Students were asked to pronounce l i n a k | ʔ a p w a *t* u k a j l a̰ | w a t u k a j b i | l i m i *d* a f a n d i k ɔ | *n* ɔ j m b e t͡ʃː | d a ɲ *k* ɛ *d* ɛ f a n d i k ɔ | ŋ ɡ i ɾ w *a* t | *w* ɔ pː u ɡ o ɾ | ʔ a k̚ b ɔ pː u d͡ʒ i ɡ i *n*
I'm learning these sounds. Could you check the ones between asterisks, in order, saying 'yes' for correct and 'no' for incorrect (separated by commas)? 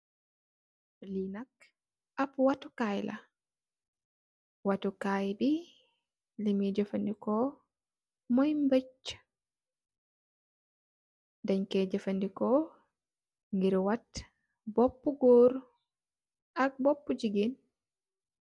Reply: yes, no, no, yes, no, yes, no, yes